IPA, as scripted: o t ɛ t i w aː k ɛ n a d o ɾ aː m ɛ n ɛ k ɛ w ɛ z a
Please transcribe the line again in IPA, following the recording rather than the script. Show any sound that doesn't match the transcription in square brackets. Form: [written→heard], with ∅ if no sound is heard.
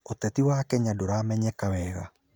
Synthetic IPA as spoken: o t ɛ t i w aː k ɛ [n→ɲ] a d o ɾ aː m ɛ [n→ɲ] ɛ k [ɛ→a] w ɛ [z→ɣ] a